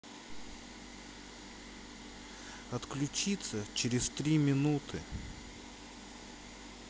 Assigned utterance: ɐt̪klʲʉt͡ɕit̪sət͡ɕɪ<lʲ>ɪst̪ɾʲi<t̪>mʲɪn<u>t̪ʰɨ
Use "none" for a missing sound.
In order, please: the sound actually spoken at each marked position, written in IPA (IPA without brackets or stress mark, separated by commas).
ɾʲ, none, u